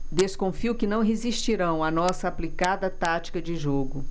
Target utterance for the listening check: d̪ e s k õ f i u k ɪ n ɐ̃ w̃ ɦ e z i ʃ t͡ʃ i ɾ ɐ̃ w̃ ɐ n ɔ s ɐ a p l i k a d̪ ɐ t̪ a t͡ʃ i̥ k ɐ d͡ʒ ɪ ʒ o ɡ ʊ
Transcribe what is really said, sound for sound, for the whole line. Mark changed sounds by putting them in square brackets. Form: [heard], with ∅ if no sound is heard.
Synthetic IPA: d̪ e s k õ f i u k ɪ n ɐ̃ w̃ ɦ e z i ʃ t͡ʃ i ɾ ɐ̃ w̃ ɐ n ɔ s ɐ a p l i k a d̪ ɐ t̪ a t͡ʃ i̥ k ɐ d͡ʒ ɪ ʒ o ɡ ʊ

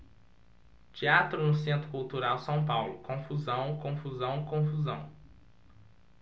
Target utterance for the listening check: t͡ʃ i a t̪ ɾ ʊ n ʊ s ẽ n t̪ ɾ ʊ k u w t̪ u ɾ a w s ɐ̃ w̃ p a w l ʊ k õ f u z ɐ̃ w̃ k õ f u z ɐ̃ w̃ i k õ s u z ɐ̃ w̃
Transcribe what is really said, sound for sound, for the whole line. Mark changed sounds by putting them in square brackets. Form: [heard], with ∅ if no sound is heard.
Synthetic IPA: t͡ʃ i a t̪ ɾ ʊ n ʊ s ẽ n t̪ ɾ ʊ k u w t̪ u ɾ a w s ɐ̃ w̃ p a w l ʊ k õ f u z ɐ̃ w̃ k õ f u z ɐ̃ w̃ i k õ [f] u z ɐ̃ w̃

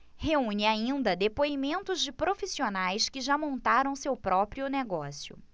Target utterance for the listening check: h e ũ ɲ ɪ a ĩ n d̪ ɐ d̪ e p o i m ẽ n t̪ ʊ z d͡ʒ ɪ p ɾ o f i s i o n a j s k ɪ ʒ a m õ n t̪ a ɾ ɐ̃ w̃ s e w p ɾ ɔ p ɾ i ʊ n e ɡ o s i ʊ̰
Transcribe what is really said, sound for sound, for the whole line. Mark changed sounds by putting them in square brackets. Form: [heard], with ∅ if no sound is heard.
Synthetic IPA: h e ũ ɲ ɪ a ĩ n d̪ ɐ d̪ e p o i m ẽ n t̪ ʊ z d͡ʒ ɪ p ɾ o f i s i o n a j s k ɪ ʒ a m õ n t̪ a ɾ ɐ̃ w̃ s e w p ɾ ɔ p ɾ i ʊ n e ɡ [ɔ] s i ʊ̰

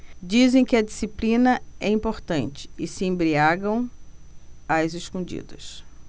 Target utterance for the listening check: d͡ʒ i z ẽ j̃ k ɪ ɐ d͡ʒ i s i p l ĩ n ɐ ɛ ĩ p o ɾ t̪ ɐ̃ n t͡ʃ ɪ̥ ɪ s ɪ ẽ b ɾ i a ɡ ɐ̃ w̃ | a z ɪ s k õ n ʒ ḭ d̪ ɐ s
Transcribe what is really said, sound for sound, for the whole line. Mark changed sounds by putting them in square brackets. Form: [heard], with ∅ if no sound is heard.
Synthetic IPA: d͡ʒ i z ẽ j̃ k ɪ ɐ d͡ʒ i s i p l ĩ n ɐ ɛ ĩ p o ɾ t̪ ɐ̃ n t͡ʃ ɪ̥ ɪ s ɪ ẽ b ɾ i a ɡ ɐ̃ w̃ | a z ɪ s k õ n [d͡ʒ] ḭ d̪ ɐ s

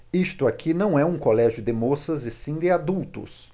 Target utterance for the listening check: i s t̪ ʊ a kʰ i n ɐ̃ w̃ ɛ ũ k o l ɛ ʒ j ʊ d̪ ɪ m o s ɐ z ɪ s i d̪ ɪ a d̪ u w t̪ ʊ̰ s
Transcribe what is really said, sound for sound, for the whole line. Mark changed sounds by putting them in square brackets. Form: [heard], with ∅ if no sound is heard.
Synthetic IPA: i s t̪ ʊ a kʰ i n ɐ̃ w̃ ɛ ũ k o l ɛ ʒ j ʊ d̪ ɪ m o s ɐ z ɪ s [ĩ] d̪ ɪ a d̪ u w t̪ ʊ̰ s

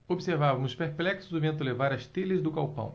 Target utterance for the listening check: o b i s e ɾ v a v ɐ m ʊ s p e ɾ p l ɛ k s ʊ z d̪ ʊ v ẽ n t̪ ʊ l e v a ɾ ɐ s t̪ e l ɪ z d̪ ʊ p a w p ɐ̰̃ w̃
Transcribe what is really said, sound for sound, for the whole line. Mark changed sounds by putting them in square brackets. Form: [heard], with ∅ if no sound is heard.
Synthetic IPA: o b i s e ɾ v a v ɐ m ʊ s p e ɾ p l ɛ k s ʊ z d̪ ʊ v ẽ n t̪ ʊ l e v a ɾ ɐ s t̪ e l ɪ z d̪ ʊ [k] a w p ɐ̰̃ w̃

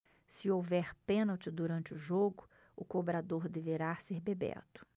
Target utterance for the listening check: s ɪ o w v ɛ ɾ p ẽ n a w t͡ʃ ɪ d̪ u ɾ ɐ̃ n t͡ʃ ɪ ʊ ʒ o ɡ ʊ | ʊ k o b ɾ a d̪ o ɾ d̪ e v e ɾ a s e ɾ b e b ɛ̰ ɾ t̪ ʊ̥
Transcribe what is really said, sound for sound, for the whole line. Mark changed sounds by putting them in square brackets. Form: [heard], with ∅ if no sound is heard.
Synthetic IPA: s ɪ o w v ɛ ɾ p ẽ n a w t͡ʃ ɪ d̪ u ɾ ɐ̃ n t͡ʃ ɪ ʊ ʒ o ɡ ʊ | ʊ k o b ɾ a d̪ o ɾ d̪ e v e ɾ a s e ɾ b e b ɛ̰ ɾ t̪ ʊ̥

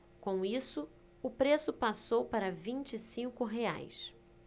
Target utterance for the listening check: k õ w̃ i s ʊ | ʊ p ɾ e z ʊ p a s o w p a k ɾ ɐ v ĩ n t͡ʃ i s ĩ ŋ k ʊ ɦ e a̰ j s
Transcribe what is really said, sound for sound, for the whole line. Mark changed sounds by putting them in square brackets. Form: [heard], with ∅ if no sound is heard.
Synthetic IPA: k õ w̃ i s ʊ | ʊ p ɾ e [s] ʊ p a s o w p a [∅] ɾ ɐ v ĩ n t͡ʃ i s ĩ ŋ k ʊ ɦ e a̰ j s

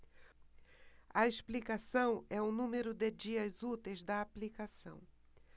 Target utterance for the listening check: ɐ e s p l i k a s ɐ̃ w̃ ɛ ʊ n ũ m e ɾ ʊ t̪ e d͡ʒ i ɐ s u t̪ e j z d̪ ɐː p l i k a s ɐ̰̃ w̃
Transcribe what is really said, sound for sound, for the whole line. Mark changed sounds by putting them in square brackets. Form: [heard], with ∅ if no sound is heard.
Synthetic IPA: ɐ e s p l i k a s ɐ̃ w̃ ɛ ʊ n ũ m e ɾ ʊ [d̪] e d͡ʒ i ɐ [z] u t̪ e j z d̪ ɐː p l i k a s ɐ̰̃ w̃

